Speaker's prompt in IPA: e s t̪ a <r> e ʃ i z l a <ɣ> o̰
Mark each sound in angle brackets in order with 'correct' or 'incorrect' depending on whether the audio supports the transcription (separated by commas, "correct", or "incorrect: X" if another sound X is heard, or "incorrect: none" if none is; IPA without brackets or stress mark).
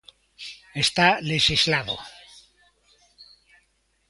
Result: incorrect: l, incorrect: ð